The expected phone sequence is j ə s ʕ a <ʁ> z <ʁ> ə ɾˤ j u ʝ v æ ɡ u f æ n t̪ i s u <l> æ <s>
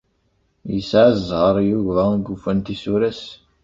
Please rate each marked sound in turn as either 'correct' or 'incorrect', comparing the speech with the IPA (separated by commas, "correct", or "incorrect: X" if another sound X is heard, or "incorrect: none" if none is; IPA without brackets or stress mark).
incorrect: z, correct, incorrect: ɾ, correct